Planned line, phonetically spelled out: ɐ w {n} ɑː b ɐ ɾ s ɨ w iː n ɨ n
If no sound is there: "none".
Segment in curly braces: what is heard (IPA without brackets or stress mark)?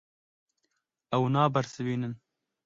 n